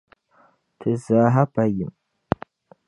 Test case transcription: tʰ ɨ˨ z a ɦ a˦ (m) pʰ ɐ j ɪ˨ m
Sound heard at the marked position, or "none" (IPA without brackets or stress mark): none